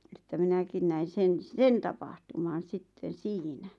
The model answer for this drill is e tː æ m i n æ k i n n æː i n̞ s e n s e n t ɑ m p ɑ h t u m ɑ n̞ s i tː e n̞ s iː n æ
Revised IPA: e tː æ m i n æ k i n n æ i n̞ s e n s e n t ɑ p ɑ h t u m ɑ n̞ s i tː e n̞ s iː n æ

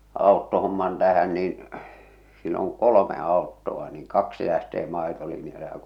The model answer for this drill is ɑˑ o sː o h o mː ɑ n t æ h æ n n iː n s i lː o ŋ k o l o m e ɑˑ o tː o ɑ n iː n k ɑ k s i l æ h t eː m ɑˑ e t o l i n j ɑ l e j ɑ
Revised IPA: ɑˑ o tː o h o mː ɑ n t æ h æ n n iː n s i lː o ŋ k o l o m e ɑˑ o tː o ɑ n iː ŋ k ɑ k s i l æ h t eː m ɑˑ e t o l i n j ɑ l e j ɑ

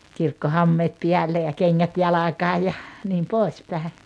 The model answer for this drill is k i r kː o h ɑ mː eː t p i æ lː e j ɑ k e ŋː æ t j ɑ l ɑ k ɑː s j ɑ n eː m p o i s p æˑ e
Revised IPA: k i r kː o h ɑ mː eː t p i æ lː e j ɑ k e ŋː æ t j ɑ l ɑ k ɑː j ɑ n iː m p o i s p æˑ e

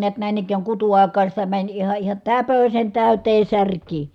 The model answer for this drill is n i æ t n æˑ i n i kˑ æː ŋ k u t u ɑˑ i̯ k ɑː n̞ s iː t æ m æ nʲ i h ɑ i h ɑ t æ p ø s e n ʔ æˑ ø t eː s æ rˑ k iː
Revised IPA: n i æ t n æˑ i n i kˑ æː ŋ k u t u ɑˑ i̯ k ɑː n̞ s i t æ m æ nʲ i h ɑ i h ɑ t æ p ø s e n t æˑ y t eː s æ rˑ k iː

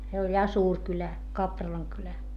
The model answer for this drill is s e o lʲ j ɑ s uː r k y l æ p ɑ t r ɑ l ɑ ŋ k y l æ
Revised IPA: s e o lʲ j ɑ s uː r k y l æ k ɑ p r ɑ l ɑ ŋ k y l æ

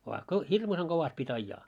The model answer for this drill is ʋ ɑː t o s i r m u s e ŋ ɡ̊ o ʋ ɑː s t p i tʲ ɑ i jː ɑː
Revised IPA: ʋ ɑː k o h i r m u s e ŋ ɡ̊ o ʋ ɑ s t p i tʲ ɑ i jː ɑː

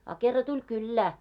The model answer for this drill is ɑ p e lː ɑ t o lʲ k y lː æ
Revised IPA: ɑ k e rː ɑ t u lʲ k y lː æː

